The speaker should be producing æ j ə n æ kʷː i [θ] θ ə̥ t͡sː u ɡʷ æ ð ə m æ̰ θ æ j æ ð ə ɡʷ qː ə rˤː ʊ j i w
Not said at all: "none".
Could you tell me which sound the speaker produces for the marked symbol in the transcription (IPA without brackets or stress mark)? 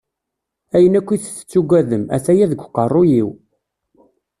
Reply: θ